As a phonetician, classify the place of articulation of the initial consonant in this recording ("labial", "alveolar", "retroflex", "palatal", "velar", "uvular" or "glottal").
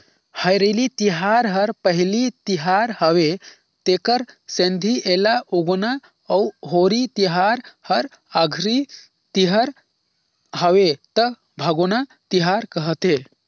glottal